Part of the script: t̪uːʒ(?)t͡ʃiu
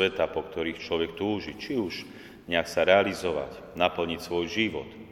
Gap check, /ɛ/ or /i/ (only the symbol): i